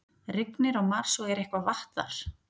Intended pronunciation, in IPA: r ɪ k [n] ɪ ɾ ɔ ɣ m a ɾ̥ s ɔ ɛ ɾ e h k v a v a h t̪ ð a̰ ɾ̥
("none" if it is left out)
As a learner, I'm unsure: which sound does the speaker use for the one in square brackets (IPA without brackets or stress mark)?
n